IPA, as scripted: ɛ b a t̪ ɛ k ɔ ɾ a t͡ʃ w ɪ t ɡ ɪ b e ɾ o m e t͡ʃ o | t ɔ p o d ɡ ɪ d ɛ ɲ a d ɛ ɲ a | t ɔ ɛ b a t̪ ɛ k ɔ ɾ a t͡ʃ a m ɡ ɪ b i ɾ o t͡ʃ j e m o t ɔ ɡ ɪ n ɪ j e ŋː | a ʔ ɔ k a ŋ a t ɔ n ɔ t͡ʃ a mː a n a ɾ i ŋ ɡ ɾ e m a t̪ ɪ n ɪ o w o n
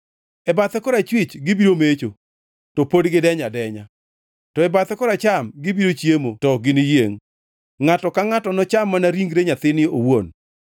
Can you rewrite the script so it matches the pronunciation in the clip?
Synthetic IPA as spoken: ɛ b a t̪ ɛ k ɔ ɾ a t͡ʃ w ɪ t͡ʃ ɡ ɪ b i ɾ o m e t͡ʃ o | t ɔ p o d ɡ ɪ d ɛ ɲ a d ɛ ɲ a | t ɔ ɛ b a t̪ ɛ k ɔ ɾ a t͡ʃ a m ɡ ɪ b i ɾ o t͡ʃ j e m o t ɔ ɡ ɪ n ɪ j e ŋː | a t ɔ k a ŋ a t ɔ n ɔ t͡ʃ a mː a n a ɾ i ŋ ɡ ɾ e ɲ a t̪ ɪ n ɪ o w o n

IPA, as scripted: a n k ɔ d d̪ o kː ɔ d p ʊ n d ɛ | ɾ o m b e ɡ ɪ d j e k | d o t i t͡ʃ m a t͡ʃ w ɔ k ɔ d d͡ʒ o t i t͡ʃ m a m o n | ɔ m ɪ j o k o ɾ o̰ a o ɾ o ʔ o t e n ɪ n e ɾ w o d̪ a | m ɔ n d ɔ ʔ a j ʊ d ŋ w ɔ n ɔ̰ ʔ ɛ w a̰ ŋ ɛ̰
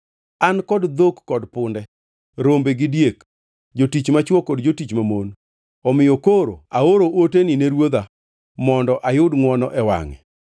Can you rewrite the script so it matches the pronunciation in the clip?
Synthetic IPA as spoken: a n k ɔ d d̪ o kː ɔ d p ʊ n d ɛ | ɾ o m b e ɡ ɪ d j e k | d͡ʒ o t i t͡ʃ m a t͡ʃ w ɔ k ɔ d d͡ʒ o t i t͡ʃ m a m o n | ɔ m ɪ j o k o ɾ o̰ a o ɾ o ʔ o t e n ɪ n e ɾ w o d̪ a | m ɔ n d ɔ ʔ a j ʊ d ŋ w ɔ n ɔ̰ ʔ ɛ w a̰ ŋ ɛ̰

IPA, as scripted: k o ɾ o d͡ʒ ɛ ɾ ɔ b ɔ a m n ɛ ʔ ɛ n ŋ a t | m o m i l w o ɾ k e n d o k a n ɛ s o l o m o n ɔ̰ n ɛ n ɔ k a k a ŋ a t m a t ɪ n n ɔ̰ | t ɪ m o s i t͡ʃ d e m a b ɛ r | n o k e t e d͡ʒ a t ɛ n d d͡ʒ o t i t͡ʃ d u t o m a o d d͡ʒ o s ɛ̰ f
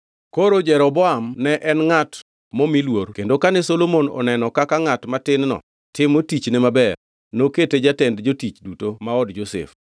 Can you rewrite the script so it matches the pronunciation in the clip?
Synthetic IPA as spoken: k o ɾ o d͡ʒ ɛ ɾ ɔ b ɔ a m n ɛ ʔ ɛ n ŋ a t | m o m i l w o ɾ k e n d o k a n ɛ s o l o m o n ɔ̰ n ɛ n ɔ k a k a ŋ a t m a t ɪ n n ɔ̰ | t ɪ m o t i t͡ʃ n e m a b ɛ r | n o k e t e d͡ʒ a t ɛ n d d͡ʒ o t i t͡ʃ d u t o m a ɔ d d͡ʒ o s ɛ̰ f

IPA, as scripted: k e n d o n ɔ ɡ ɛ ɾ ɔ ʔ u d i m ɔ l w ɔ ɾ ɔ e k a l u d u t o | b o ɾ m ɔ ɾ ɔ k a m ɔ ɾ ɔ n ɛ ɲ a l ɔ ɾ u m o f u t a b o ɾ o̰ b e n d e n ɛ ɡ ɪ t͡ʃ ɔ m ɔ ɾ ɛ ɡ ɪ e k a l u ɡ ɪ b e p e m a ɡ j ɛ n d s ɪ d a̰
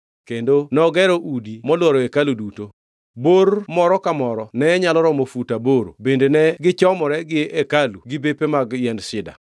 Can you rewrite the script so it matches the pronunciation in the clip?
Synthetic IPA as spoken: k e n d o n ɔ ɡ ɛ ɾ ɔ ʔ u d i m ɔ l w ɔ ɾ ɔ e k a l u d u t o | b o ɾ m ɔ ɾ ɔ k a m ɔ ɾ ɔ n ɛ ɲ a l ɔ ɾ ɔ m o f u t a b o ɾ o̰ b e n d e n ɛ ɡ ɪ t͡ʃ ɔ m ɔ ɾ ɛ ɡ ɪ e k a l u ɡ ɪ b e p e m a ɡ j ɛ n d s ɪ d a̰

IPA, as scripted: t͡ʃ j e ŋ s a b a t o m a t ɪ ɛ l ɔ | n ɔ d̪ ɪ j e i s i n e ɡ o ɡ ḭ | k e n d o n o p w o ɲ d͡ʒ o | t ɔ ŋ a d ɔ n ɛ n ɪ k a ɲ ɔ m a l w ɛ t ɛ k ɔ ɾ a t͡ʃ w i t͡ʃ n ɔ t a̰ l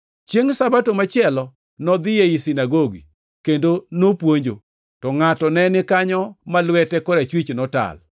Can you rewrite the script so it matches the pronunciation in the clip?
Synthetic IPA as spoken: t͡ʃ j e ŋ s a b a t o m a t͡ʃ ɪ ɛ l ɔ | n ɔ d̪ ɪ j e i s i n a ɡ o ɡ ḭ | k e n d o n o p w o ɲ d͡ʒ o | t ɔ ŋ a t ɔ n ɛ n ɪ k a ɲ ɔ m a l w ɛ t ɛ k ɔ ɾ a t͡ʃ w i t͡ʃ n ɔ t a̰ l

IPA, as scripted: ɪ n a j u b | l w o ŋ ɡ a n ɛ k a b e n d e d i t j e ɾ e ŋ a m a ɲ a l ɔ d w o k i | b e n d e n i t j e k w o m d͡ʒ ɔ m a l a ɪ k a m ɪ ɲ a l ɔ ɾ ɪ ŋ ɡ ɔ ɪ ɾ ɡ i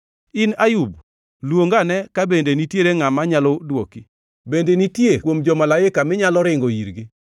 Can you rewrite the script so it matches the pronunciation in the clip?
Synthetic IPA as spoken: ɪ n a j u b | l w o ŋ ɡ a n ɛ k a b e n d e n i t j e ɾ e ŋ a m a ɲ a l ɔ d w o k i | b e n d e n i t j e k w o m d͡ʒ ɔ m a l a ɪ k a m ɪ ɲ a l ɔ ɾ ɪ ŋ ɡ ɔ i ɾ ɡ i

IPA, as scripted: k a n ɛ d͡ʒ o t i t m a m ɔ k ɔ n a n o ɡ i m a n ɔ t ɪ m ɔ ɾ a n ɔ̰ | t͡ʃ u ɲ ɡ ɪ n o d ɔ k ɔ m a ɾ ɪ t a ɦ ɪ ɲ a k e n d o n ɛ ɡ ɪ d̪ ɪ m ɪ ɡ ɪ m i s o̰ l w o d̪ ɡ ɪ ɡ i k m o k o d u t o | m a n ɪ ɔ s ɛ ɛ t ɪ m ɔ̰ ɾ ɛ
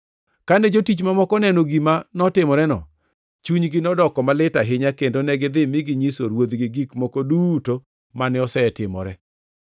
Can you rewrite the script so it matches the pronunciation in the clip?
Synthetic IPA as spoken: k a n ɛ d͡ʒ o t i t͡ʃ m a m ɔ k ɔ n ɛ n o ɡ i m a n ɔ t ɪ m ɔ ɾ ɛ n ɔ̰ | t͡ʃ u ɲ ɡ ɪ n ɔ d ɔ k ɔ m a l ɪ t a ɦ ɪ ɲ a k e n d o n ɛ ɡ ɪ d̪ ɪ m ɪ ɡ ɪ ɲ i s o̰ ɾ w o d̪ ɡ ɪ ɡ i k m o k o d u t o | m a n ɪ ɔ s ɛ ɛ t ɪ m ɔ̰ ɾ ɛ

